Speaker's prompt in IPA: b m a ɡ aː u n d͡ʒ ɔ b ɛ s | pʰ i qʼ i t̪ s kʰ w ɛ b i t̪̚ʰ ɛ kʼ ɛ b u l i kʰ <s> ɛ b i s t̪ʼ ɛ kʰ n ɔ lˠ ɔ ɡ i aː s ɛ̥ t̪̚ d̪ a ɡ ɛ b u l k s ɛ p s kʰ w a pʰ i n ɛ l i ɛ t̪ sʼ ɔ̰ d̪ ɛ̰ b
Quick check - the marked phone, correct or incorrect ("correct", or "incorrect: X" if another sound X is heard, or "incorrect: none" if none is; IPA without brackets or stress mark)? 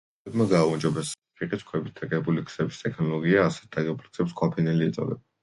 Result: correct